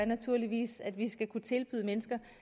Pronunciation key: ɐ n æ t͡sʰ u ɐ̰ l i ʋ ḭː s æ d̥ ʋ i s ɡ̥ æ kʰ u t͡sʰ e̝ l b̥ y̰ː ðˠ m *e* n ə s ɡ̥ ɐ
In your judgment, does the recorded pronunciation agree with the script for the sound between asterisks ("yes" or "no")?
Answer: yes